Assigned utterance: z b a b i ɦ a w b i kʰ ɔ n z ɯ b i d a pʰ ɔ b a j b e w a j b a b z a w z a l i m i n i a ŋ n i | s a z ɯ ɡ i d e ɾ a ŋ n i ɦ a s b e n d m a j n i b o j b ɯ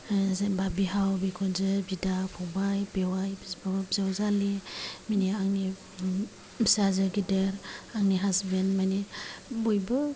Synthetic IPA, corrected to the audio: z b a b i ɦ a w b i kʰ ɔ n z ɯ b i d a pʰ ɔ b a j b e w a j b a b z a w z a l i m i n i a ŋ n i | s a z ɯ ɡ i d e ɾ a ŋ n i ɦ a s b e n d m a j n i b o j b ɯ